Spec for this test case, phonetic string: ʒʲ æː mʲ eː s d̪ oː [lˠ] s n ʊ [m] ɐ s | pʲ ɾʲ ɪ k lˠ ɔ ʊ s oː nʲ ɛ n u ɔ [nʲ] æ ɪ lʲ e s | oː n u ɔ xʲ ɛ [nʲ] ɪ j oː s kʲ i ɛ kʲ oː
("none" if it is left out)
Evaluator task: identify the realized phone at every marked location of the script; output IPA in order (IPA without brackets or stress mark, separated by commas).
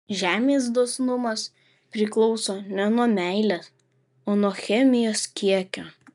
none, m, mʲ, mʲ